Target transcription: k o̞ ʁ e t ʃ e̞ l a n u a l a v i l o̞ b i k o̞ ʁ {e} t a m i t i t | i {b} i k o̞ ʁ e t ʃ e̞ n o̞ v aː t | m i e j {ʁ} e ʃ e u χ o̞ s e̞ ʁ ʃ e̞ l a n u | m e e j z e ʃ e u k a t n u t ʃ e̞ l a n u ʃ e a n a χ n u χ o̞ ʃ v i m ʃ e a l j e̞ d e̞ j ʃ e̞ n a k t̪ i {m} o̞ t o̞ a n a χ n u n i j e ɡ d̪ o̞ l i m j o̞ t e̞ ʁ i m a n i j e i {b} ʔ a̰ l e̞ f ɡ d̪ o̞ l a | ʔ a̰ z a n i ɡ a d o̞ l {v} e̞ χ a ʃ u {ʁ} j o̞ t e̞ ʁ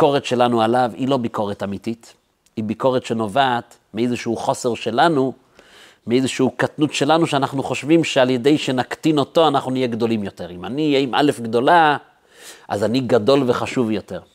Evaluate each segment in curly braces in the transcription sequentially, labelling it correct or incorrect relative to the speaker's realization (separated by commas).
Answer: correct, correct, incorrect, incorrect, incorrect, correct, incorrect